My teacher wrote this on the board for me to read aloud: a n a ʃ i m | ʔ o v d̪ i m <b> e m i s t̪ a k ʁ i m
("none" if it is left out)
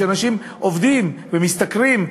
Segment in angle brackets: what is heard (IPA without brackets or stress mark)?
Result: v